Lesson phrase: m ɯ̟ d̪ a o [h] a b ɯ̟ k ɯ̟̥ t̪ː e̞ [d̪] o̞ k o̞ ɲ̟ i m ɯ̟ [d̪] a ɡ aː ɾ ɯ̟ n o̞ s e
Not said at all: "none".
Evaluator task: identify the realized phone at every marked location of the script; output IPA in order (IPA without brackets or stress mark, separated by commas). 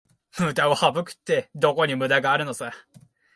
h, d̪, d̪